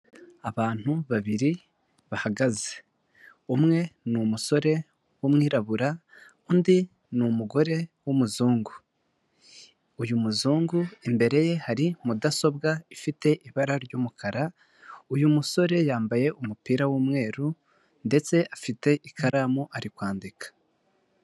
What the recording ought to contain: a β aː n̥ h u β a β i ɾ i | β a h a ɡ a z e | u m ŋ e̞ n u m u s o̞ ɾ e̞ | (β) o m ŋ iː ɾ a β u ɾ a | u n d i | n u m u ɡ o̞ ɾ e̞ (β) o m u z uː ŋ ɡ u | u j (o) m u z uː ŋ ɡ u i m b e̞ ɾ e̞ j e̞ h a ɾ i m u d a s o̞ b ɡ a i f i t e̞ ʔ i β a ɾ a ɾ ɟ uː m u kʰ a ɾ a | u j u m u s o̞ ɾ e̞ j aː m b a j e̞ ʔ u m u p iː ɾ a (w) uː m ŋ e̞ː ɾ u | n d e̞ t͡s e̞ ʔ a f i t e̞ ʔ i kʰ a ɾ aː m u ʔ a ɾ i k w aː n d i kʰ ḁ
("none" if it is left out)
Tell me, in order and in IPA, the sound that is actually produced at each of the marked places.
w, w, u, w

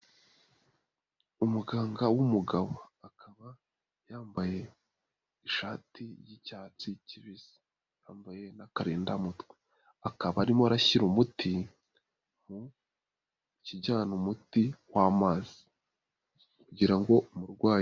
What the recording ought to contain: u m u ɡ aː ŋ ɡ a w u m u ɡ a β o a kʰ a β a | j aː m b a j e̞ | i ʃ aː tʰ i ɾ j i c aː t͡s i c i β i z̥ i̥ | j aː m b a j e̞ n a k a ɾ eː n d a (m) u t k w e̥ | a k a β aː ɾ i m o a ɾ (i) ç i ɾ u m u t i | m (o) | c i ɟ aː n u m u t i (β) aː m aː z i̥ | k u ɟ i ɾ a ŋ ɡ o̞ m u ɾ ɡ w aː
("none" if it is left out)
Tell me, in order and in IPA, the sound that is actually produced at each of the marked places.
m, a, u, w

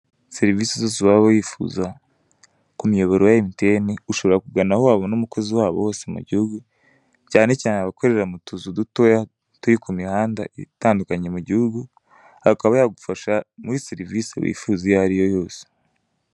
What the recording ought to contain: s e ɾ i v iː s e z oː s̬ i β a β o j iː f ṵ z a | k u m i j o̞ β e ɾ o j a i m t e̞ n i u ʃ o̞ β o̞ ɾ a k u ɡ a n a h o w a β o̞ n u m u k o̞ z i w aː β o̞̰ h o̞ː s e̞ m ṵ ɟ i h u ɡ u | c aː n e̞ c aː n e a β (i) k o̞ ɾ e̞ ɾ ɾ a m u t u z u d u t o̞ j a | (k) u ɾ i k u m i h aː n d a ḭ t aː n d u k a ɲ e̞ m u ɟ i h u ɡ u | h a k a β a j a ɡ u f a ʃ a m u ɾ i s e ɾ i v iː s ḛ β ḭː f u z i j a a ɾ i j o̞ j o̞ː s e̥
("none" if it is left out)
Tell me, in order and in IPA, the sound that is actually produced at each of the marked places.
a, t

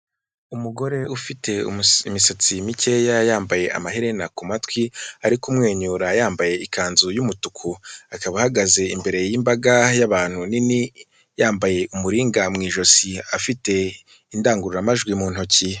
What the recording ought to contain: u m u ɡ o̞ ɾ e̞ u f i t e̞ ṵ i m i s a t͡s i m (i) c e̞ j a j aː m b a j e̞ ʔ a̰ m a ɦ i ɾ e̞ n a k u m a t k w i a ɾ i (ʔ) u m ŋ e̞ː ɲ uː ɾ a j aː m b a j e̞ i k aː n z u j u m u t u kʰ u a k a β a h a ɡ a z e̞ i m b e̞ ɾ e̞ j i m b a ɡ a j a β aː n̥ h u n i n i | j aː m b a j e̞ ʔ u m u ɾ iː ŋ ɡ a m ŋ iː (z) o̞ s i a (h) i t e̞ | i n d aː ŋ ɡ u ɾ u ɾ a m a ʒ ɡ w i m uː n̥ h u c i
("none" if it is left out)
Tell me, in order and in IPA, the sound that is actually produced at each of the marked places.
i, k, ʒ, f

